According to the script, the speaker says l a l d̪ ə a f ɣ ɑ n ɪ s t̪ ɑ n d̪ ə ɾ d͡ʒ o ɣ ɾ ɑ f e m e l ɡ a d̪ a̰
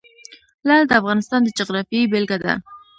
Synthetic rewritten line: l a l d̪ ə a f ɣ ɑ n ɪ s t̪ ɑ n d̪ ə d͡ʒ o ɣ ɾ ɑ f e b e l ɡ a d̪ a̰